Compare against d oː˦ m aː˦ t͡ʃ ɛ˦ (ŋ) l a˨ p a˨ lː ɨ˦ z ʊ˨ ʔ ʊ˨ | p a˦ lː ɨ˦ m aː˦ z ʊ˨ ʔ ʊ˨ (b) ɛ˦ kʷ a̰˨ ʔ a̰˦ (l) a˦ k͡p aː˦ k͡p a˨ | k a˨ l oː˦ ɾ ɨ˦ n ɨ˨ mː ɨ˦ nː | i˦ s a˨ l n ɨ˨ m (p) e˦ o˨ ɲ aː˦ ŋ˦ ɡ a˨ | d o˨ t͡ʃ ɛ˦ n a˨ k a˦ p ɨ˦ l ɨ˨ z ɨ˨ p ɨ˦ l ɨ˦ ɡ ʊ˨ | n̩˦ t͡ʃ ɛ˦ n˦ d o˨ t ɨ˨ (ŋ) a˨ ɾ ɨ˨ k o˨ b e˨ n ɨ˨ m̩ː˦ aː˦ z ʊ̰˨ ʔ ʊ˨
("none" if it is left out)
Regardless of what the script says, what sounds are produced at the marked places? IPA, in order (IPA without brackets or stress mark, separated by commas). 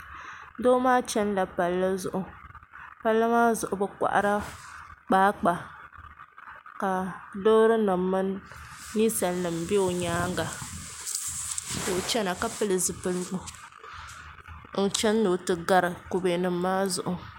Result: n, b, ɾ, b, ɡ